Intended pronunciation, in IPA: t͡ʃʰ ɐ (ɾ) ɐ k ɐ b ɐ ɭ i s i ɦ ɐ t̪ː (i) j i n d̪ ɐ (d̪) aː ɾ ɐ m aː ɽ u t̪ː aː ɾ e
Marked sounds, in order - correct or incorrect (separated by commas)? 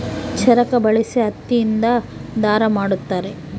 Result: correct, correct, correct